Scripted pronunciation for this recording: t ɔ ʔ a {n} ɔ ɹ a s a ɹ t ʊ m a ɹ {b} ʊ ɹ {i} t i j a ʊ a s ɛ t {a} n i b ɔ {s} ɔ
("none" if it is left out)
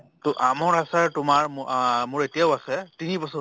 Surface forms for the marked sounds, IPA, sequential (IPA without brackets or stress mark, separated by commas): m, m, e, i, s